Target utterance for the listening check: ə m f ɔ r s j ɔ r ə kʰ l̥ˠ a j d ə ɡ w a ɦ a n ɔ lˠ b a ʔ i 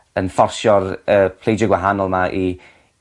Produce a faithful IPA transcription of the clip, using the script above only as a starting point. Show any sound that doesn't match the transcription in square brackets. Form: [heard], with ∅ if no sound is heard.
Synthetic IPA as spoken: ə [n] f ɔ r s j ɔ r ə [pʰ] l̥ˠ [e] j [d͡ʒ] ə ɡ w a ɦ a n ɔ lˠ [m] a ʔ i